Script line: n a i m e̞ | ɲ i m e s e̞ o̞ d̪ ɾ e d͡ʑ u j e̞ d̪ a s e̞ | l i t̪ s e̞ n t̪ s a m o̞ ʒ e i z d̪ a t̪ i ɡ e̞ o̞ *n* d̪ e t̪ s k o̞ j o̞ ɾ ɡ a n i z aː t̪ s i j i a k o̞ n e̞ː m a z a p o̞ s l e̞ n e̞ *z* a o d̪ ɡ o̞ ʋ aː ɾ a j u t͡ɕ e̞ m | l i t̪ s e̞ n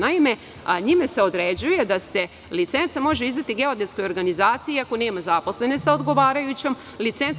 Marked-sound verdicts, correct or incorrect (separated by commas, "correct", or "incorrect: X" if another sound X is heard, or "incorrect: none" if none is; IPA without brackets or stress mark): incorrect: none, incorrect: s